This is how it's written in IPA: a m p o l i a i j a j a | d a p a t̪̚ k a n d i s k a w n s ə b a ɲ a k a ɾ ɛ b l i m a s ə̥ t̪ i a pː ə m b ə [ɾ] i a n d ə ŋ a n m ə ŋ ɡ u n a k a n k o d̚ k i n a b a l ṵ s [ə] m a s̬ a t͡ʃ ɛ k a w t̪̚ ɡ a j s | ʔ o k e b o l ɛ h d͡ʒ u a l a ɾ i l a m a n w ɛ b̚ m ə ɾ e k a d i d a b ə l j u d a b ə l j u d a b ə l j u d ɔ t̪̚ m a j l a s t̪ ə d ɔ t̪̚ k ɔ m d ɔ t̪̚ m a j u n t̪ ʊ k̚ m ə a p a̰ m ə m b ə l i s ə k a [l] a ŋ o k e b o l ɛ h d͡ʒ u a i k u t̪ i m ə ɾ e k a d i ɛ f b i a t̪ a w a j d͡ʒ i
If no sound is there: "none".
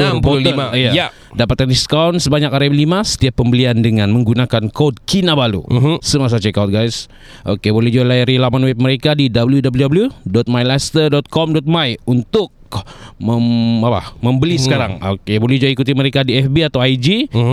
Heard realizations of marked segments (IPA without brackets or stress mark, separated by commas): l, ə, ɾ